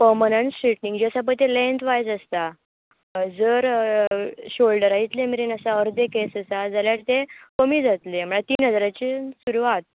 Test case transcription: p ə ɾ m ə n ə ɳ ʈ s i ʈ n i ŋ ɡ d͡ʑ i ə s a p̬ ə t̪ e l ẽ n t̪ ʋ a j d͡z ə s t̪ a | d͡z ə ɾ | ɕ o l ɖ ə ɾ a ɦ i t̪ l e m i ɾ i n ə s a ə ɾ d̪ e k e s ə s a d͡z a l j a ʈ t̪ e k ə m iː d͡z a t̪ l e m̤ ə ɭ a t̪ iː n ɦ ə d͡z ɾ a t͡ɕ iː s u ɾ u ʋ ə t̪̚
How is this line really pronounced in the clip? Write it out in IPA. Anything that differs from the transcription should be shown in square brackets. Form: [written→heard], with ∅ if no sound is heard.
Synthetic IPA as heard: p ə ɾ m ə n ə ɳ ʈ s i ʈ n i ŋ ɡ d͡ʑ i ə s a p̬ ə t̪ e l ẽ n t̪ ʋ a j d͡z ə s t̪ a | d͡z ə ɾ | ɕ o l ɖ ə ɾ a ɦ i t̪ l e m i ɾ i n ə s a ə ɾ d̪ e k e s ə s a d͡z a l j a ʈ t̪ e k ə m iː d͡z a t̪ l e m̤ ə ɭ a t̪ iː n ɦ ə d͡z ɾ a t͡ɕ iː s u ɾ u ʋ [ə→a] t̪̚